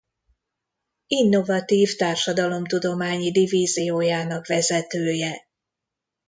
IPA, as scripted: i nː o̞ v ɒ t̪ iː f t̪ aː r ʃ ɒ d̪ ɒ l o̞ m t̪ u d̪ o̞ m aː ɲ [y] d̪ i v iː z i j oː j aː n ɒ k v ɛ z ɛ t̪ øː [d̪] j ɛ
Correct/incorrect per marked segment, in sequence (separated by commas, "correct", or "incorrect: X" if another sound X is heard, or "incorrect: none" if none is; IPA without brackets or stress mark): incorrect: i, incorrect: none